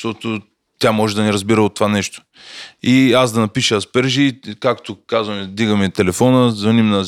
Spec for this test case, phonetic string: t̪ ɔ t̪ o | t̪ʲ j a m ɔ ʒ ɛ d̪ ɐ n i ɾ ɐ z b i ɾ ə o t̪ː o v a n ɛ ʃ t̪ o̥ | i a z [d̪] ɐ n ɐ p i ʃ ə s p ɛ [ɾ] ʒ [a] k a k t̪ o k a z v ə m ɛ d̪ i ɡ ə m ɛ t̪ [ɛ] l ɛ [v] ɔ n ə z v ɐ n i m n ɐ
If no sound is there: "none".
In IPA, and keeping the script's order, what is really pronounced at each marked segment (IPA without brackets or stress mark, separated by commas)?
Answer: d̪, ɾ, i, ɛ, f